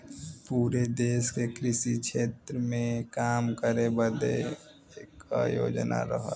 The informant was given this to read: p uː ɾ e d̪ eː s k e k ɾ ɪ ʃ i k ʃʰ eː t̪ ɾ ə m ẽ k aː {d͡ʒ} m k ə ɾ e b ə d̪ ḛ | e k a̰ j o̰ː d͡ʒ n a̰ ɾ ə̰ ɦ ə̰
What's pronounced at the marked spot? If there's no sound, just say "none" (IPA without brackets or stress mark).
none